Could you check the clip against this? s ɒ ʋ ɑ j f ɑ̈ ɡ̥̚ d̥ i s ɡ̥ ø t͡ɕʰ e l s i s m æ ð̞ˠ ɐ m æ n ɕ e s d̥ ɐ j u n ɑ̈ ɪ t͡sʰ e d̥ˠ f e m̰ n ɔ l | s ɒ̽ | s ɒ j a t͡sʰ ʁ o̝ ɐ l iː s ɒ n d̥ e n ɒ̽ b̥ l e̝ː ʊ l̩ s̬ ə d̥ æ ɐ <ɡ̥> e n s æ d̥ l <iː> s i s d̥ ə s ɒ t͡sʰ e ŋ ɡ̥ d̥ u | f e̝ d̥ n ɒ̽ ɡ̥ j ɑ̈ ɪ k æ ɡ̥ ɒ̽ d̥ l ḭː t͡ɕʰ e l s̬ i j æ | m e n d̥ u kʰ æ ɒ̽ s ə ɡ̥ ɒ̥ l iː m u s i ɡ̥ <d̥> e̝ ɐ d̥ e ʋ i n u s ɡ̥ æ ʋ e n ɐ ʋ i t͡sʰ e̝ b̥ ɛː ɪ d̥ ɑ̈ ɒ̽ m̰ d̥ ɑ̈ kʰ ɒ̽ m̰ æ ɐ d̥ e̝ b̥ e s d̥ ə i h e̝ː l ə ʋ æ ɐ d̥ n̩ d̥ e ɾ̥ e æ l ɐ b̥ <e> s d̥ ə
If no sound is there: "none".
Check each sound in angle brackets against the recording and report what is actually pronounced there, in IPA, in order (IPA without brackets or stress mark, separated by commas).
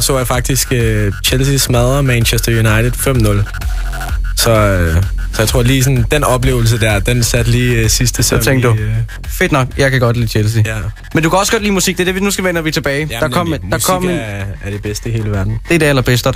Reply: d̥, iː, d̥, e